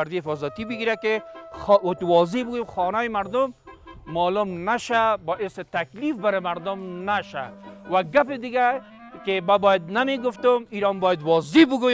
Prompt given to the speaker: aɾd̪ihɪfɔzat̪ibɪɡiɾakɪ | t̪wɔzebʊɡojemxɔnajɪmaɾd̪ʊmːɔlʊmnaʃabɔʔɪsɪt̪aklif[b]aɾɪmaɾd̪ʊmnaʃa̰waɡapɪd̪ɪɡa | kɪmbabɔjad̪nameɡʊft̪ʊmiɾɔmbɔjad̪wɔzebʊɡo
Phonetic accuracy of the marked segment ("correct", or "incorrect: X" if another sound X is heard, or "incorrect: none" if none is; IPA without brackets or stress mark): correct